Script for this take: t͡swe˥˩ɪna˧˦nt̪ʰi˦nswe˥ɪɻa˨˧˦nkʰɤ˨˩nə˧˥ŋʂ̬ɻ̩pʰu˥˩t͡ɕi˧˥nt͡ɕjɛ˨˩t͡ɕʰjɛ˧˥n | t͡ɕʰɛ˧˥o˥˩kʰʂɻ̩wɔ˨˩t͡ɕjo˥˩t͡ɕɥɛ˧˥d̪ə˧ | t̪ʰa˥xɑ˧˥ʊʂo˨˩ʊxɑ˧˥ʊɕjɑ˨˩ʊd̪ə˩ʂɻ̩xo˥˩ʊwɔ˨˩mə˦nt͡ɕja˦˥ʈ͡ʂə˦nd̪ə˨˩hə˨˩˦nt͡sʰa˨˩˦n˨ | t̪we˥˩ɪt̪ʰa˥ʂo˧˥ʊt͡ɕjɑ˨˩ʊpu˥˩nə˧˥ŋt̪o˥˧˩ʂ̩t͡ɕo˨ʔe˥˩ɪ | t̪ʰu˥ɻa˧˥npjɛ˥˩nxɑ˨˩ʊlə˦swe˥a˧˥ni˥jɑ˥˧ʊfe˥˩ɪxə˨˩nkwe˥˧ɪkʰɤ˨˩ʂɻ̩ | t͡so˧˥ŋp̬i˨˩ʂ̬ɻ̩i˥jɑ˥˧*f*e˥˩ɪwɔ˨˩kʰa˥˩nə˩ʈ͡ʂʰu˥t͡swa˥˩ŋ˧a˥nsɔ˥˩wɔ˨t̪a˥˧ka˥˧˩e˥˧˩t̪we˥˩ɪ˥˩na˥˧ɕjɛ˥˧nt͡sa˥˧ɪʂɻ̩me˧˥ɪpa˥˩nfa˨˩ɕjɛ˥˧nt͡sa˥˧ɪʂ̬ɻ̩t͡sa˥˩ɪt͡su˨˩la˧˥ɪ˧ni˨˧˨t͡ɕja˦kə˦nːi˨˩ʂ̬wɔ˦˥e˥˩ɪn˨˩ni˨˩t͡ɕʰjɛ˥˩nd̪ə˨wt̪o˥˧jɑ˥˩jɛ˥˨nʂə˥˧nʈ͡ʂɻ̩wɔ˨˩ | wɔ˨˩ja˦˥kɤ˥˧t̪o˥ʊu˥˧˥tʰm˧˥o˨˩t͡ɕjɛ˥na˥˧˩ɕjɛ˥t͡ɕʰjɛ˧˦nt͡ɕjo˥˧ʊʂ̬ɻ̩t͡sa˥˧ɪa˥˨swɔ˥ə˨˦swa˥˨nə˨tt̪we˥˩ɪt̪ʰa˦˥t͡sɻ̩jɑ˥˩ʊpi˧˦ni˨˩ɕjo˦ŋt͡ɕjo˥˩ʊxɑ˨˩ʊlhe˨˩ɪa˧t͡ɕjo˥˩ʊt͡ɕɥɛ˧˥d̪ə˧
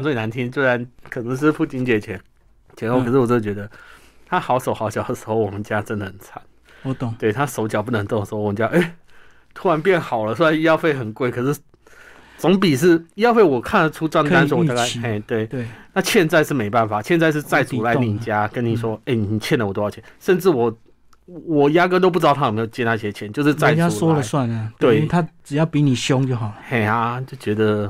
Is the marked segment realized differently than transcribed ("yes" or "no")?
no